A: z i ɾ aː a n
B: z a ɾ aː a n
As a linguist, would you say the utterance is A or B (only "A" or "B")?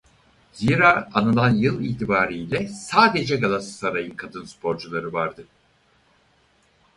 A